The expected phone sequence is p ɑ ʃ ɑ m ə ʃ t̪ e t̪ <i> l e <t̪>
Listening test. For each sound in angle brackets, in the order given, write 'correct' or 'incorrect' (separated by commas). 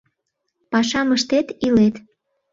correct, correct